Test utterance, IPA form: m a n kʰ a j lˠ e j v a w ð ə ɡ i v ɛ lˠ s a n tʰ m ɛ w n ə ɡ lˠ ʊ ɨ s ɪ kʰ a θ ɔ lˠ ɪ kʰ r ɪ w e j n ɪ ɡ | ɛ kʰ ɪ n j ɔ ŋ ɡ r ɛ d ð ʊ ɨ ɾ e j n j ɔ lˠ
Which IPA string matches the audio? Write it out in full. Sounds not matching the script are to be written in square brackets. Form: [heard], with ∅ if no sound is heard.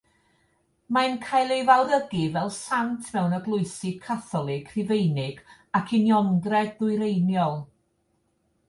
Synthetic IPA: m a n kʰ a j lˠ e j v a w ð ə ɡ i v ɛ lˠ s a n tʰ m ɛ w n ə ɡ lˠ ʊ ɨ s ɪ kʰ a θ ɔ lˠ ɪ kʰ r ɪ [v] e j n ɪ ɡ | [a] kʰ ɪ n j ɔ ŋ ɡ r ɛ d ð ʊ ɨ ɾ e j n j ɔ lˠ